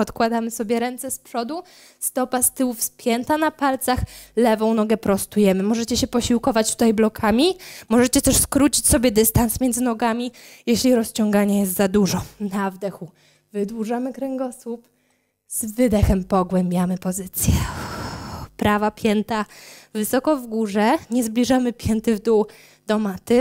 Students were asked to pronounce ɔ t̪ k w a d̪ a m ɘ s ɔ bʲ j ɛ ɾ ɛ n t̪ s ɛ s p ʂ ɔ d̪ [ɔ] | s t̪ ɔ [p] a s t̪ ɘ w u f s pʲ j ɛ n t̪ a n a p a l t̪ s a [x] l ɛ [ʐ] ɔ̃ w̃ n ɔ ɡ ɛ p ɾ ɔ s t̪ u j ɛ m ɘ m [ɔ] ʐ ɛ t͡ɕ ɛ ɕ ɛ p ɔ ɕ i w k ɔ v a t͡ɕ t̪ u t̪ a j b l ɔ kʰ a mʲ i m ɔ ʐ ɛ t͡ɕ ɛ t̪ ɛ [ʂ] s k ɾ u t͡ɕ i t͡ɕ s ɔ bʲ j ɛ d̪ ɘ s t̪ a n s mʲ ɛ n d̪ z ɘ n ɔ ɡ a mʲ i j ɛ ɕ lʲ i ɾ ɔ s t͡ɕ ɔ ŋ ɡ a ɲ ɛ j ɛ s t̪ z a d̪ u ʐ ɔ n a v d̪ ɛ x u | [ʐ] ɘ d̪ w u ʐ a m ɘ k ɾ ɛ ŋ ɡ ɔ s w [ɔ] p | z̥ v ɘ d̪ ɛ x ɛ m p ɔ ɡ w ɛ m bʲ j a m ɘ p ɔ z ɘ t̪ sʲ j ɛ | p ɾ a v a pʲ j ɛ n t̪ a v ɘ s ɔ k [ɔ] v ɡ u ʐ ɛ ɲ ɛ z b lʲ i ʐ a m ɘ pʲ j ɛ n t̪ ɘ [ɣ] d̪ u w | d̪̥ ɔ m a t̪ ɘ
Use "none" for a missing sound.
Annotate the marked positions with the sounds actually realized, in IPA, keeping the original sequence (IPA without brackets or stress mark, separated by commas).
u, p, x, v, ɔ, ʂ, v, u, ɔ, v